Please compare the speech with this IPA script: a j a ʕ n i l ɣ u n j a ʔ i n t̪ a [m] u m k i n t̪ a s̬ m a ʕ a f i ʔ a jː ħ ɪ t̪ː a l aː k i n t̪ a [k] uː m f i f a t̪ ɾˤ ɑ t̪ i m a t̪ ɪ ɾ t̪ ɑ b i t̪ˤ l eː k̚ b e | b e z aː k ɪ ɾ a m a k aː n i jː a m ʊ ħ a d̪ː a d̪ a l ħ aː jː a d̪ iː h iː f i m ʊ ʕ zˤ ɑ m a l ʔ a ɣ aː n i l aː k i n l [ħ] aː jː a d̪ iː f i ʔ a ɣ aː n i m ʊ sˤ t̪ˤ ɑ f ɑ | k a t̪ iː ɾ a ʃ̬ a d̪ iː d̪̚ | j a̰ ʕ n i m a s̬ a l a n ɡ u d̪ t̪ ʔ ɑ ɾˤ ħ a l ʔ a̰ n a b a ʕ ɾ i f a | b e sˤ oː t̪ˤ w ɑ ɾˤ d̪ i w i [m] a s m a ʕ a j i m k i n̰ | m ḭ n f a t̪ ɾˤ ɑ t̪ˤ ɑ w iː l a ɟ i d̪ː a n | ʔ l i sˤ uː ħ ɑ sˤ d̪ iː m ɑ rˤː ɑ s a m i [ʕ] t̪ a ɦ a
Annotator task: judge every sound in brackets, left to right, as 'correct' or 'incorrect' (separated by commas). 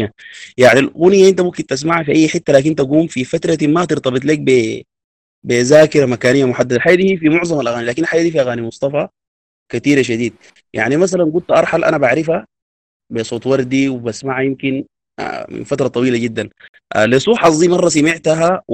correct, incorrect, correct, incorrect, correct